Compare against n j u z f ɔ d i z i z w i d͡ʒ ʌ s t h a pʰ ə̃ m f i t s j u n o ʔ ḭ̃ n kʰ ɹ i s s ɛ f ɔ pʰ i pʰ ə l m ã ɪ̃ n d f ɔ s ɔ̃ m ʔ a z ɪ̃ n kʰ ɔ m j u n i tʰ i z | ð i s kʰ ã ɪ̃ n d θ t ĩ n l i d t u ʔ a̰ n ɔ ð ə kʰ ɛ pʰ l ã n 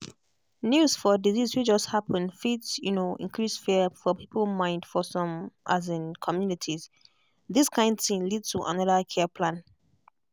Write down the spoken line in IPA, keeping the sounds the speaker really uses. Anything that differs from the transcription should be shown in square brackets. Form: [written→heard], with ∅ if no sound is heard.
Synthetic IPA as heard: n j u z f ɔ d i z i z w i d͡ʒ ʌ s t h a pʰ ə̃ [m→n] f i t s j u n o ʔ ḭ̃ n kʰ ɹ i s [s→f] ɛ f ɔ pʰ i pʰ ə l m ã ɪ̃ n d f ɔ s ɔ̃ m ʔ a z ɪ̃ n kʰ ɔ m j u n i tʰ i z | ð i s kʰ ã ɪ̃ n d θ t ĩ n l i d t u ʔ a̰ n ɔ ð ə kʰ ɛ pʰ l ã n

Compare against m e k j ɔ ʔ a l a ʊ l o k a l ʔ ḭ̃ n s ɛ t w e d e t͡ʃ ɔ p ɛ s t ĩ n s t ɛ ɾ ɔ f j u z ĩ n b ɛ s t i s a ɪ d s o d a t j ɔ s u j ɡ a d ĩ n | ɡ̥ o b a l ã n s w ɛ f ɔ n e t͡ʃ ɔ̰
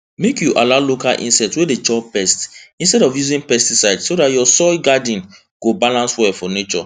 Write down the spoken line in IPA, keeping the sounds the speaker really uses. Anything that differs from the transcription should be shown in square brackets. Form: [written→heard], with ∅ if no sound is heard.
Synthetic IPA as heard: m e k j [ɔ→u] ʔ a l a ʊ l o k a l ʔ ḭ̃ n s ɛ t w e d e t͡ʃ ɔ p ɛ s t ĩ n s t ɛ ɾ ɔ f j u z ĩ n [b→p] ɛ s t i s a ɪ d s o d a t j ɔ s [u→ɔ] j ɡ a d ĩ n | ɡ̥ o b a l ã n s w ɛ f ɔ n e t͡ʃ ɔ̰

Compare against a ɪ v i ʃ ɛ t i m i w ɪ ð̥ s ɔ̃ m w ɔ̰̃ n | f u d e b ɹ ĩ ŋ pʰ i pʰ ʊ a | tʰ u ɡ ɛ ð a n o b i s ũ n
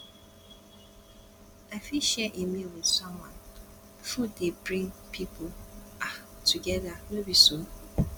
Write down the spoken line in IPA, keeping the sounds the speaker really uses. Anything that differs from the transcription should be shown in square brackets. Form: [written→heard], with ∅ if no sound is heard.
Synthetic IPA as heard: a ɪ [v→f] i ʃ ɛ [t→ʔ] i m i w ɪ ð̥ s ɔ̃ m w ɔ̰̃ n | f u d e b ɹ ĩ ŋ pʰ i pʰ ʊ a | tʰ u ɡ ɛ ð a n o b i s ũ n

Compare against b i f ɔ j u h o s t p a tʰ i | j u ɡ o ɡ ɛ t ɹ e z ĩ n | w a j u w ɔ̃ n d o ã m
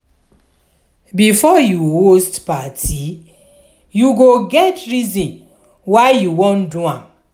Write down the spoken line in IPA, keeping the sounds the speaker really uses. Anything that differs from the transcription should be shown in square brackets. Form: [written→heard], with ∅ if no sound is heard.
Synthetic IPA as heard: b i f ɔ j u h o s t p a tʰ i | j u ɡ o ɡ ɛ t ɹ [e→i] z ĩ n | w a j u w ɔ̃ n d [o→u] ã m

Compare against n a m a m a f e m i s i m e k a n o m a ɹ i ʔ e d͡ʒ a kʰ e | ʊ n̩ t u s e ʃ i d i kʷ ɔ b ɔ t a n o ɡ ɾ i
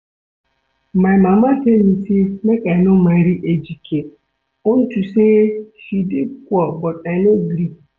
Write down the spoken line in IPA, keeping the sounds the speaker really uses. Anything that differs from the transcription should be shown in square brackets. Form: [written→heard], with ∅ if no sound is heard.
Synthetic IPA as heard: [n→m] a m a m a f e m i s i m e k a n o m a [ɹ→ɾ] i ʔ e d͡ʒ [a→i] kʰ e | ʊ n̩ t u s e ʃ i d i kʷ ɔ b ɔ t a n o ɡ ɾ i

